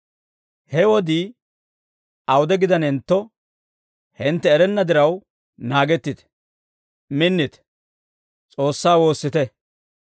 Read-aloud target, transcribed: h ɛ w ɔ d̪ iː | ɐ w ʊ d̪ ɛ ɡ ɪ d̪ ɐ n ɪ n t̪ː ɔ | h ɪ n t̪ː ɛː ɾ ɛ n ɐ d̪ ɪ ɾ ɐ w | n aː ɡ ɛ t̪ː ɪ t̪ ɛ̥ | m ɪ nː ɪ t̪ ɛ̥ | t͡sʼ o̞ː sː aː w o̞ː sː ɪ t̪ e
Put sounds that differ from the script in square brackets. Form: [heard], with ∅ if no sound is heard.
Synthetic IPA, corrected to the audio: h ɛ w ɔ d̪ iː | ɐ w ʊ d̪ ɛ ɡ ɪ d̪ ɐ n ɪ n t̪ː ɔ | h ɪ n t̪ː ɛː ɾ ɛ [nː] ɐ d̪ ɪ ɾ ɐ w | n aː ɡ ɛ t̪ː ɪ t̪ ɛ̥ | m ɪ nː ɪ t̪ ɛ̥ | t͡sʼ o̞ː sː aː w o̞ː sː ɪ t̪ [ɛ]